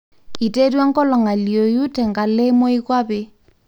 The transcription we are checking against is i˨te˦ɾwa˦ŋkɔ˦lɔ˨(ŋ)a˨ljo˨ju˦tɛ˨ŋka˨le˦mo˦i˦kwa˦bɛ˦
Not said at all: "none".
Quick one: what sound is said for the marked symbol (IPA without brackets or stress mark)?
ŋ